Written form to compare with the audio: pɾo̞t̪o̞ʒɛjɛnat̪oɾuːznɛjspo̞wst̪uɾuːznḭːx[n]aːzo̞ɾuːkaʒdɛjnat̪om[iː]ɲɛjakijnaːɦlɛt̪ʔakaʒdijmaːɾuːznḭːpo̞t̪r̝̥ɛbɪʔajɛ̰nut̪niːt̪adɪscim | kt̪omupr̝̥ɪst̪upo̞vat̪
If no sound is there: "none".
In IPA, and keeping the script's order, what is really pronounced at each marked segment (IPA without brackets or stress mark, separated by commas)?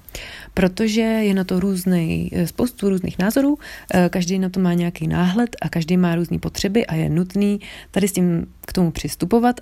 n, aː